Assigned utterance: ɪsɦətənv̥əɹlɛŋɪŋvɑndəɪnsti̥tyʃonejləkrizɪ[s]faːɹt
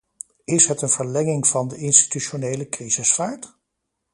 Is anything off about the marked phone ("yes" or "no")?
no